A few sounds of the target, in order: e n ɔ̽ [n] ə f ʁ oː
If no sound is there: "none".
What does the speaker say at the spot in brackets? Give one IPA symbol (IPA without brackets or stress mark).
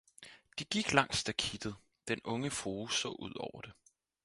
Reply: ŋ